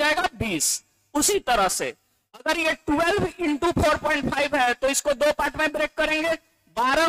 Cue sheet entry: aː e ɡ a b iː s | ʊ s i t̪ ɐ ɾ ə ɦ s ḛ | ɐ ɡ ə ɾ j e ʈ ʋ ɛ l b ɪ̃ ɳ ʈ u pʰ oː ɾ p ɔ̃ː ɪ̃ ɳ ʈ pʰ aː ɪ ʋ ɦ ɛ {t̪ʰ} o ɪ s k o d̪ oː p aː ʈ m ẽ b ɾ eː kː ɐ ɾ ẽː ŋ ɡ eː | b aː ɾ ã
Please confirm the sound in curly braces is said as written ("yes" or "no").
no